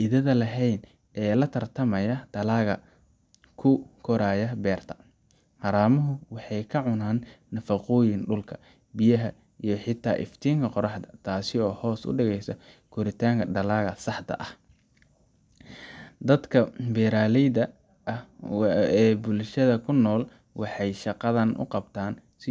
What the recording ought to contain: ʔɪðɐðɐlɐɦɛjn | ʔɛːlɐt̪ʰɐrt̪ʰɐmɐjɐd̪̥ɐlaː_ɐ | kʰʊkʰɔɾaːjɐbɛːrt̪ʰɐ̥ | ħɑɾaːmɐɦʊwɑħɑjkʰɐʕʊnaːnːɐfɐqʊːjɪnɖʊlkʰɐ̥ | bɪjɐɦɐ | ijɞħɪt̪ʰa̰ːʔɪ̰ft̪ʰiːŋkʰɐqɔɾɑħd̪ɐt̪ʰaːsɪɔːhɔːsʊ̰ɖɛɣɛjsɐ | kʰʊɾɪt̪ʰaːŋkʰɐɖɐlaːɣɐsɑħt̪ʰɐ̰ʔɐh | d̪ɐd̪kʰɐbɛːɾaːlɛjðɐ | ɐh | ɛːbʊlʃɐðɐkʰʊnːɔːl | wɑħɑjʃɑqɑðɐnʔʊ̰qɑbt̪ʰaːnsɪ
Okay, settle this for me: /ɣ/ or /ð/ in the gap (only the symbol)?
ɣ